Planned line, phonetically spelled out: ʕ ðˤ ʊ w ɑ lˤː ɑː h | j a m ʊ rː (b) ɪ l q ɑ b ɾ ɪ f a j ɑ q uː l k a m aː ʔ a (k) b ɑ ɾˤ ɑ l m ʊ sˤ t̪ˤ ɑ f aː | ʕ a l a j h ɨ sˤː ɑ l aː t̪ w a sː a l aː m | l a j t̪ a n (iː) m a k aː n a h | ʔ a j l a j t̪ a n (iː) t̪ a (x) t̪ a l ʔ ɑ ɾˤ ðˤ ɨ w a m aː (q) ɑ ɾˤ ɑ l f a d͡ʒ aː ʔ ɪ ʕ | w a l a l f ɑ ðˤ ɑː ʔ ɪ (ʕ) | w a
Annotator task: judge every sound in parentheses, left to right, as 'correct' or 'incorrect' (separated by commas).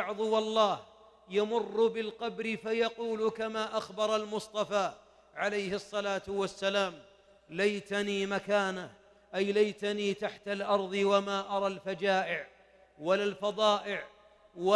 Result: correct, incorrect, correct, correct, incorrect, incorrect, correct